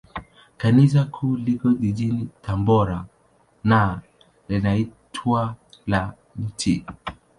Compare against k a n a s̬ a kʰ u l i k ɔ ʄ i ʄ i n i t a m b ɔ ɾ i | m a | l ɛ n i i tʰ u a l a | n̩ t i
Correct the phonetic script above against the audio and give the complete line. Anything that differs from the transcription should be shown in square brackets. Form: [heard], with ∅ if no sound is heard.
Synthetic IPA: k a n [i] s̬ a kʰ u l i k ɔ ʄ i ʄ i n i t a m b ɔ ɾ [a] | [n] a | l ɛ n [a] i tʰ [w] a l a | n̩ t i